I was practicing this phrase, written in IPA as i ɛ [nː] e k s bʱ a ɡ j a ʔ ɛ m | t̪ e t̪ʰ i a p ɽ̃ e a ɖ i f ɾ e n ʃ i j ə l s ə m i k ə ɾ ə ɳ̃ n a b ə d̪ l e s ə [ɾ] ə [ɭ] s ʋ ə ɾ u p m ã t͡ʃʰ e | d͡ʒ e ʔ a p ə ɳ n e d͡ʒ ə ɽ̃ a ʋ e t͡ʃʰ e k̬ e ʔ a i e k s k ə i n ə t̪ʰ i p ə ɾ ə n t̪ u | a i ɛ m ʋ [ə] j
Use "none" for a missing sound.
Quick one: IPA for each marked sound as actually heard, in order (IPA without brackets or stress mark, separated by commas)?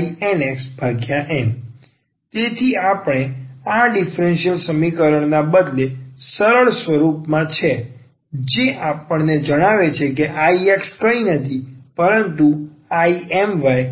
n, ɾ, ɭ, a